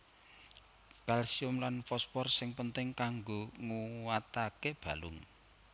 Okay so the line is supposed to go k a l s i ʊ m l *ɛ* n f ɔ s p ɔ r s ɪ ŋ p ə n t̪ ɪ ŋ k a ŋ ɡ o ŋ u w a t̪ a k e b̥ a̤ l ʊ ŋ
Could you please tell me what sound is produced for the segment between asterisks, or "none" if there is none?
a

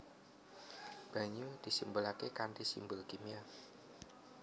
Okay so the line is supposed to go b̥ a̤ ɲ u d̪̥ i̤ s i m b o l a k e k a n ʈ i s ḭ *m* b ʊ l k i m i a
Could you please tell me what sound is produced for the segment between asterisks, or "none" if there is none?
m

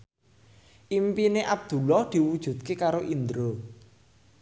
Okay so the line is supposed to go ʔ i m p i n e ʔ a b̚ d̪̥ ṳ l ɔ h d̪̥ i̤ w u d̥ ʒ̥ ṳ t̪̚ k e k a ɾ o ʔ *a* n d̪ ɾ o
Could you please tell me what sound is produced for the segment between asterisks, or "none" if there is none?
i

